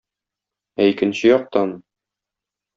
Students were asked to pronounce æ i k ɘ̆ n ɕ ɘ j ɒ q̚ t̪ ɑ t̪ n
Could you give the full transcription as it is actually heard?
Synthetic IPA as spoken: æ i k ɘ̆ n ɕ ɘ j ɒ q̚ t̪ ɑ n